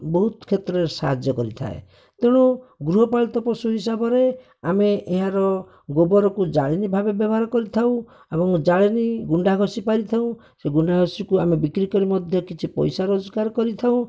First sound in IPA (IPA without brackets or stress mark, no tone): b